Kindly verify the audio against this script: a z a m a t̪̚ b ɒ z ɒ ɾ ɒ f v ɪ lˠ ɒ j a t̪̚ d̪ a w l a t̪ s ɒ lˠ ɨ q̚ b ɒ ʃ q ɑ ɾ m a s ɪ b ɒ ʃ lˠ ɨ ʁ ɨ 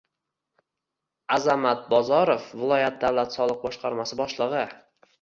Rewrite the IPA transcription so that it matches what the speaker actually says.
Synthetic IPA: a z a m a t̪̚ b ɒ z ɒ ɾ o f v ɪ lˠ ɒ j a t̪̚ d̪ a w l a t̪ s ɒ lˠ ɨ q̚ b ɒ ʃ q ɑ ɾ m a s ɪ b ɒ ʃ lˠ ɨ ʁ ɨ